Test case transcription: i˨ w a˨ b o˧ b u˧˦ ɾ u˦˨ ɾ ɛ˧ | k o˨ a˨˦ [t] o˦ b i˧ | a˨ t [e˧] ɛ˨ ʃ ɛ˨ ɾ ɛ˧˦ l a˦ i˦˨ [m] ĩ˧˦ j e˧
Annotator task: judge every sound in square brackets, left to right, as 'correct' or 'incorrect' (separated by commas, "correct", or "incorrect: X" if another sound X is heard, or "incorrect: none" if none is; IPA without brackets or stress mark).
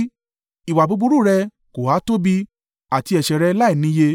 correct, incorrect: i˧, incorrect: n